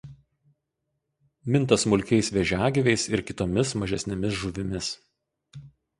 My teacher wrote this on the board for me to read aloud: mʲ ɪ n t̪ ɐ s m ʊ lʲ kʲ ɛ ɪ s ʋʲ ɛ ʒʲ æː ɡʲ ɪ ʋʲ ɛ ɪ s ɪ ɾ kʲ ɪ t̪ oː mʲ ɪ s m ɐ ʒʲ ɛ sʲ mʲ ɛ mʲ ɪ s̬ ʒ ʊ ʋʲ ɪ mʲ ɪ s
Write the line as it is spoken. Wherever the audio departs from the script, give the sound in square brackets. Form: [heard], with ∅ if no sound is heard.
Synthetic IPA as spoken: mʲ ɪ n t̪ ɐ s m ʊ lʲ kʲ ɛ ɪ s ʋʲ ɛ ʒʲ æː ɡʲ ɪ ʋʲ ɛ ɪ s ɪ ɾ kʲ ɪ t̪ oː mʲ ɪ s m ɐ ʒʲ ɛ sʲ [nʲ] ɛ mʲ ɪ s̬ ʒ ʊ ʋʲ ɪ mʲ ɪ s